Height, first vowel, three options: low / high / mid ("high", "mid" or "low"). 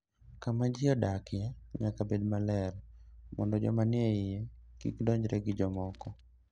low